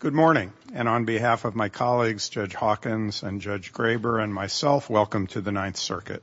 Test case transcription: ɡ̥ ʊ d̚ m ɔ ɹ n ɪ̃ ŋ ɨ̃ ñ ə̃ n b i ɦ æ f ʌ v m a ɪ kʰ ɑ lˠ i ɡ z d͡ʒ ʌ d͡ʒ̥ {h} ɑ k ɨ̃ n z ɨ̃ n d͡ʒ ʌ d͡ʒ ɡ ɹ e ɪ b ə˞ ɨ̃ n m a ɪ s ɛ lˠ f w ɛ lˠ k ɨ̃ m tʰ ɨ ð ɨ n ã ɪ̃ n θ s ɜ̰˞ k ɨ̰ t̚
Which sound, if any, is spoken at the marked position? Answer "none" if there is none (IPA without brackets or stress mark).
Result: h